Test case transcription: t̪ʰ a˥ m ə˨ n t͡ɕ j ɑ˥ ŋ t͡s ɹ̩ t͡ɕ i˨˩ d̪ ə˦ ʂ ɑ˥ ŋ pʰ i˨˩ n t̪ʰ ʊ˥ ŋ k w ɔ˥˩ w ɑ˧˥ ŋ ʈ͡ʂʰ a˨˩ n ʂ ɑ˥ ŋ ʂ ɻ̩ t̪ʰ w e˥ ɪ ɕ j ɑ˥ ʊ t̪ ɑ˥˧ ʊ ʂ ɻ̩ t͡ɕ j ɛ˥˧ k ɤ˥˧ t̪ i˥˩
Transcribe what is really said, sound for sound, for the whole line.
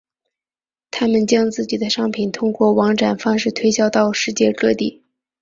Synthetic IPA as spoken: t̪ʰ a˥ m ə˨ n t͡ɕ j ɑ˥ ŋ t͡s ɹ̩ t͡ɕ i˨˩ d̪ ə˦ ʂ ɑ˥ ŋ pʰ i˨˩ n t̪ʰ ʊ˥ ŋ k w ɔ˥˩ w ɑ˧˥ ŋ ʈ͡ʂ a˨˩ n f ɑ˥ ŋ ʂ ɻ̩ t̪ʰ w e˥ ɪ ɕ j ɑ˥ ʊ t̪ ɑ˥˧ ʊ ʂ ɻ̩ t͡ɕ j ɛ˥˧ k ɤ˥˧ t̪ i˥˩

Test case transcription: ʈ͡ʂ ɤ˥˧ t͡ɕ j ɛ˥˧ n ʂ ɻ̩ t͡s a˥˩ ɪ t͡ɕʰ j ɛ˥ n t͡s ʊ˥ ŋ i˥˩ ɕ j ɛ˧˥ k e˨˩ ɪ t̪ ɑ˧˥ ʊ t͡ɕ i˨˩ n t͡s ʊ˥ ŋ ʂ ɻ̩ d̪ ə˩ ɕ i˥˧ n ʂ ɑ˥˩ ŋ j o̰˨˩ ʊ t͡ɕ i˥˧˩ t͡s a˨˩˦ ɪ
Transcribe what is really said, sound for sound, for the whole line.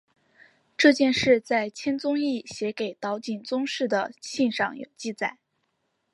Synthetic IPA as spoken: ʈ͡ʂ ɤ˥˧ t͡ɕ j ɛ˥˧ n ʂ ɻ̩ t͡s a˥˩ ɪ t͡ɕʰ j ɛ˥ n t͡s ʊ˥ ŋ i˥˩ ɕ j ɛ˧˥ k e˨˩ ɪ t̪ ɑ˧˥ ʊ t͡ɕ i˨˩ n t͡s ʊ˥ ŋ ʂ ɻ̩ d̪ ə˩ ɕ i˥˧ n ʂ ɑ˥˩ ŋ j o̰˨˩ ʊ t͡ɕ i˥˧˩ t͡s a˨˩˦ ɪ

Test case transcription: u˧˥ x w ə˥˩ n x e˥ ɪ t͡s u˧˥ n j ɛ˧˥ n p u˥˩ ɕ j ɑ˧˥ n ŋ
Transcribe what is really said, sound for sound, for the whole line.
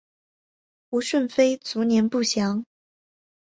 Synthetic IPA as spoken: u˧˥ ʂ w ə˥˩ n f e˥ ɪ t͡s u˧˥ n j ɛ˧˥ n p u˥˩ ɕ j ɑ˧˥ ŋ

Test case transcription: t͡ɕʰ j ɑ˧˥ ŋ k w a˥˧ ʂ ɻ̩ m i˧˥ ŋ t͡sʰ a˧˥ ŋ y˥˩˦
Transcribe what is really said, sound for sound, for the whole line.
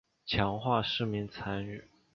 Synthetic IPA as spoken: t͡ɕʰ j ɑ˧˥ ŋ x w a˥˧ ʂ ɻ̩ m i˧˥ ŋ t͡sʰ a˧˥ n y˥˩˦

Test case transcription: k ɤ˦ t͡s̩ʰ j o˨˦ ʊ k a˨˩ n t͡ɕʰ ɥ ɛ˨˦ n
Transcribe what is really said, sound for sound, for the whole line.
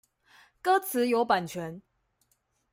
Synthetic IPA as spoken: k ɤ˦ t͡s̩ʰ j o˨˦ ʊ p a˨˩ n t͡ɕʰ ɥ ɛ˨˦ n

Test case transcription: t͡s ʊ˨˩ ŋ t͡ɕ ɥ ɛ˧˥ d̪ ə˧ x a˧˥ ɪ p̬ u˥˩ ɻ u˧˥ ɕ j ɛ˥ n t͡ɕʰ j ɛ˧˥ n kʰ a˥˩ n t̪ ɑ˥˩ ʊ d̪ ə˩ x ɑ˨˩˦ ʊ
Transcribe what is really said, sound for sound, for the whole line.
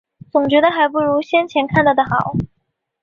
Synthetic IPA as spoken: t͡s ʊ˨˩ ŋ t͡ɕ ɥ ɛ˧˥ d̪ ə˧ x a˧˥ ɪ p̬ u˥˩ ɻ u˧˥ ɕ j ɛ˥ n t͡ɕʰ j ɛ˧˥ n kʰ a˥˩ n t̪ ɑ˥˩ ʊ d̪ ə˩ x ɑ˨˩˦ ʊ

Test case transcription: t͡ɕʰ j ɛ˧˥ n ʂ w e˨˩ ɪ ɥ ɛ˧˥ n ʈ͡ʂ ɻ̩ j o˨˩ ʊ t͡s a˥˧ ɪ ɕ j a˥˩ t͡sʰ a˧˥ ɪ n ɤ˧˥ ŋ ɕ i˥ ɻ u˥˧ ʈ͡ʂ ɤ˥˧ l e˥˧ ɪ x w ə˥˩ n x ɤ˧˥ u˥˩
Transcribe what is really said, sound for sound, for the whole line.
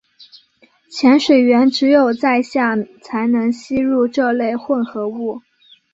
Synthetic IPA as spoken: t͡ɕʰ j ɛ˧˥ n ʂ w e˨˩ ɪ ɥ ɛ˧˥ n ʈ͡ʂ ɻ̩ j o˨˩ ʊ t͡s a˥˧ ɪ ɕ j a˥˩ t͡sʰ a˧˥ ɪ n ɤ˧˥ ŋ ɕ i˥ ɻ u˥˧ ʈ͡ʂ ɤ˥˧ l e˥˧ ɪ x w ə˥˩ n x ɤ˧˥ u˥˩

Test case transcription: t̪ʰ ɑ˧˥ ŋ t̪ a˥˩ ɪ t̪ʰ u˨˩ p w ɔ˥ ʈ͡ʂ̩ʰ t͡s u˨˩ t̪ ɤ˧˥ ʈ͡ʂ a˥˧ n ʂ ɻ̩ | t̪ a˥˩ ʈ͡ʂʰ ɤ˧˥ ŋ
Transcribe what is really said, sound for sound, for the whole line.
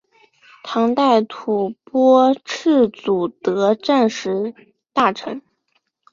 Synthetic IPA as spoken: t̪ʰ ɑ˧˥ ŋ t̪ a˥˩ ɪ t̪ʰ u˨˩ p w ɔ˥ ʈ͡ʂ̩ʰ t͡s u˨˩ t̪ ɤ˧˥ ʈ͡ʂ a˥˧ n ʂ ɻ̩ | t̪ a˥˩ ʈ͡ʂʰ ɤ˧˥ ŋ

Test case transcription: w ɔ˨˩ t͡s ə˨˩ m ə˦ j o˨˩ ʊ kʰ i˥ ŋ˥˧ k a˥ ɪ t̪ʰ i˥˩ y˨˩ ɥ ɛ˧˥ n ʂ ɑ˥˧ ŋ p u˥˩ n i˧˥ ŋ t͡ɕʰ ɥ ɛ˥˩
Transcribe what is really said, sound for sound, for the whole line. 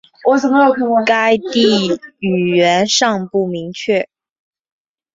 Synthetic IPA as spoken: w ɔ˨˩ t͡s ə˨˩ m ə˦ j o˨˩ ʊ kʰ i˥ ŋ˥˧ k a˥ ɪ t̪ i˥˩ y˨˩ ɥ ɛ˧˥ n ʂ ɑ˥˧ ŋ p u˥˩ m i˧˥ ŋ t͡ɕʰ ɥ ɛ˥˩

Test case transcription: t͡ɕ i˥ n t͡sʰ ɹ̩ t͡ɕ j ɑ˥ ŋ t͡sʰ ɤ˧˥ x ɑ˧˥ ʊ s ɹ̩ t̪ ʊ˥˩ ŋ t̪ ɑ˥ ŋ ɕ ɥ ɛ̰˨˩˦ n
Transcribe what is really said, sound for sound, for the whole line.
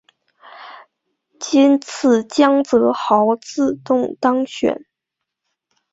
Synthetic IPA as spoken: t͡ɕ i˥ n t͡sʰ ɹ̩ t͡ɕ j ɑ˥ ŋ t͡s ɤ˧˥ x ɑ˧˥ ʊ t͡s ɹ̩ t̪ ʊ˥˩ ŋ t̪ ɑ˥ ŋ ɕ ɥ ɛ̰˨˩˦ n

